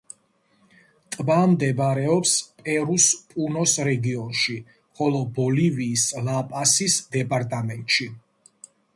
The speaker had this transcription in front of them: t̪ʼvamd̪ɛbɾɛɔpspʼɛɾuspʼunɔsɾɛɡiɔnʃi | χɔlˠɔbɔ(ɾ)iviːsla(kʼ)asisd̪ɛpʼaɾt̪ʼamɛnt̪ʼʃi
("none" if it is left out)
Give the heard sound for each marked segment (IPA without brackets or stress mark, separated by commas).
l, pʼ